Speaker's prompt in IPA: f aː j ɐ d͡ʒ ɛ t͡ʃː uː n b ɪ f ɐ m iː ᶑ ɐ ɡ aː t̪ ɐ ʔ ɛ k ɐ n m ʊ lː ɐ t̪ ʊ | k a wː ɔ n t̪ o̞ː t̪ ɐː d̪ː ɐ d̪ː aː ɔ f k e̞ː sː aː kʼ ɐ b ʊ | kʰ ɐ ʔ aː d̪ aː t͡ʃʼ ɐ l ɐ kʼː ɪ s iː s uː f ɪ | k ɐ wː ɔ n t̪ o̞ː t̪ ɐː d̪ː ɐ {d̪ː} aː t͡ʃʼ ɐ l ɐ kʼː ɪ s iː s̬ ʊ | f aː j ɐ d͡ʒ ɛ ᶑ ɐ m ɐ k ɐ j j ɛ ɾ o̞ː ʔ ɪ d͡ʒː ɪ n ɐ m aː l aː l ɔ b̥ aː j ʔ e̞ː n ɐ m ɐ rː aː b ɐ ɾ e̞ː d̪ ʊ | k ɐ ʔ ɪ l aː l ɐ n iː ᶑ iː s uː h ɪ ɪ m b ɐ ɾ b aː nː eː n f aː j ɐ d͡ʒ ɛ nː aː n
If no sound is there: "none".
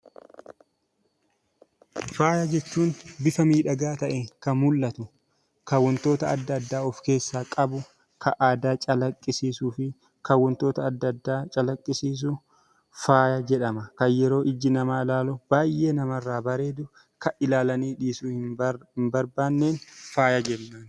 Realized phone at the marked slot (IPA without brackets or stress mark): d̪ː